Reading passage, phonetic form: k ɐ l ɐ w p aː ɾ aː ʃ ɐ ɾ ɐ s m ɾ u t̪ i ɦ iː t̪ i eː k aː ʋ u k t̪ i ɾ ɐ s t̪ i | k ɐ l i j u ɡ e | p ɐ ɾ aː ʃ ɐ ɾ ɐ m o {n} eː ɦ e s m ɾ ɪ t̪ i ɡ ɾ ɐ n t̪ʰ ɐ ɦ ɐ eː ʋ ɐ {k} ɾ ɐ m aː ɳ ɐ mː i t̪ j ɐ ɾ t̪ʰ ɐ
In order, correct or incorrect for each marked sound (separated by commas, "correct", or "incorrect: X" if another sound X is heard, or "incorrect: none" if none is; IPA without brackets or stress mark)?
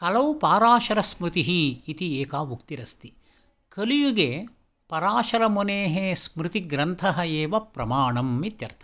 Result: correct, incorrect: p